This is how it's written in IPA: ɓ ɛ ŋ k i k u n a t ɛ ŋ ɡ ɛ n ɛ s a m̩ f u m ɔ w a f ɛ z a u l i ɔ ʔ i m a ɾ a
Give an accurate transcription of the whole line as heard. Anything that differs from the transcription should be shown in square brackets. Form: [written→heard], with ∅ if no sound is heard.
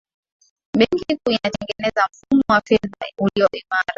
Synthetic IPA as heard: ɓ ɛ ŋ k i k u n a t ɛ ŋ ɡ ɛ n ɛ [s→z] a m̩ f u m ɔ w a f ɛ [z→ð] a u l i ɔ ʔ i m a ɾ a